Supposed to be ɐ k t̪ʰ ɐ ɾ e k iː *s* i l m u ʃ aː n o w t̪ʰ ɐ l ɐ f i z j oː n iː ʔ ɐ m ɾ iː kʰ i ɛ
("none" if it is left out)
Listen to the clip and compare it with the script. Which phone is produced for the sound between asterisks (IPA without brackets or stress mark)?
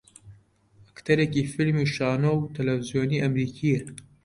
f